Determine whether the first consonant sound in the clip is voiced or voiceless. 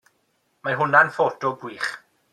voiced